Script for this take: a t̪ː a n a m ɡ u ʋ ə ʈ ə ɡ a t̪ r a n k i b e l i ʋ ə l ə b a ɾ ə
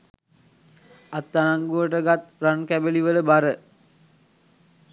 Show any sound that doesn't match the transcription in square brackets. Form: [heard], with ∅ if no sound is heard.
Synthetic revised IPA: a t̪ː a n a [ŋ] ɡ u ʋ ə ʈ ə ɡ a t̪ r a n k [æ] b e l i ʋ ə l ə b a ɾ ə